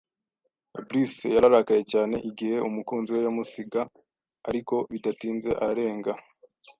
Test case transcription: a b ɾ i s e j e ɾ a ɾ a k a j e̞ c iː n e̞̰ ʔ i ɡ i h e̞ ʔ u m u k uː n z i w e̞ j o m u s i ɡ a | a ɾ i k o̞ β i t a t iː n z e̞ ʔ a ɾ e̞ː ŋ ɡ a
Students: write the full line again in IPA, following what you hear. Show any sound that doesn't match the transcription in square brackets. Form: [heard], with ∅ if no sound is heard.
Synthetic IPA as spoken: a b ɾ i s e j [a] ɾ a ɾ a k a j e̞ c [aː] n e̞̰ ʔ i ɡ i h e̞ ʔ u m u k uː n z i w e̞ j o m u s i ɡ a | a ɾ i k o̞ β i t a t iː n z e̞ ʔ a ɾ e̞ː ŋ ɡ a